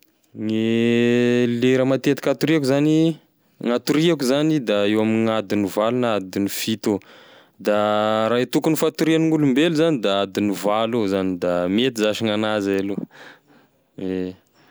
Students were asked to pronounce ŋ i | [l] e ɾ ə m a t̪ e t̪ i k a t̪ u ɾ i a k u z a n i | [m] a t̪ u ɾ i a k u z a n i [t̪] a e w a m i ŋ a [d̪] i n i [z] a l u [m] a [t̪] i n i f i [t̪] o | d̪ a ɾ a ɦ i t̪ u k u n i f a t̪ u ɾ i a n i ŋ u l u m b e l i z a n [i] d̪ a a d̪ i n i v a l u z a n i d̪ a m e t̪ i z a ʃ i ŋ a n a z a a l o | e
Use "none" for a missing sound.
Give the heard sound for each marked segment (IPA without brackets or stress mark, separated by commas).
l, ŋ, d̪, d̪, v, n, d̪, t̪, i